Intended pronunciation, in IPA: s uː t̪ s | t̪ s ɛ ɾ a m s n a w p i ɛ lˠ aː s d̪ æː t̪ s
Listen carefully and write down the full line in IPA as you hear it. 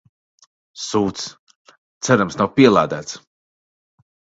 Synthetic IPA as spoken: s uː t̪ s | t̪ s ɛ ɾ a m s n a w p i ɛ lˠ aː d̪ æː t̪ s